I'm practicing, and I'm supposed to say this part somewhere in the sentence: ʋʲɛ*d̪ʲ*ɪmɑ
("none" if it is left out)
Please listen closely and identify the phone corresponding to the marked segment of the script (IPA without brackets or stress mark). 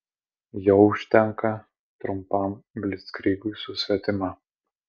t̪ʲ